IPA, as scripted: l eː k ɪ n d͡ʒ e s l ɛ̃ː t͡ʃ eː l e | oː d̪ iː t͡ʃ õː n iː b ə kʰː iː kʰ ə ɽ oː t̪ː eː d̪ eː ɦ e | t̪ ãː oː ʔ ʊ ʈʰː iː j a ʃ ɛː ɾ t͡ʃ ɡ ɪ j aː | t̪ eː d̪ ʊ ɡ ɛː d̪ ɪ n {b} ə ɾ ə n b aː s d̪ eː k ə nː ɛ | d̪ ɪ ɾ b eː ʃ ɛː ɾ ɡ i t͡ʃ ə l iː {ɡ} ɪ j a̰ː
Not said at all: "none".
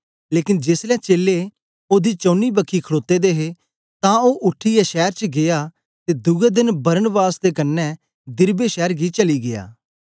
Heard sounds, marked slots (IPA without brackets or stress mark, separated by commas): b, ɡ